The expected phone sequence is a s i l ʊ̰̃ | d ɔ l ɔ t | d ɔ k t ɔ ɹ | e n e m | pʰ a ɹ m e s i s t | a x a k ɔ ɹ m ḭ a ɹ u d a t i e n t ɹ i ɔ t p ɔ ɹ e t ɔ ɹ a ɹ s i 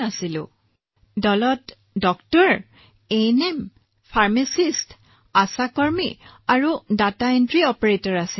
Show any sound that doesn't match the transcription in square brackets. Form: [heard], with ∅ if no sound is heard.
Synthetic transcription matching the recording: a s i l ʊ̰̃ | d ɔ l ɔ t | d ɔ k t ɔ ɹ | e n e m | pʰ a ɹ m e s i s t | a [s] a k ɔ ɹ m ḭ a ɹ u d a t [a] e n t ɹ i ɔ [∅] p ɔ ɹ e t ɔ ɹ a [∅] s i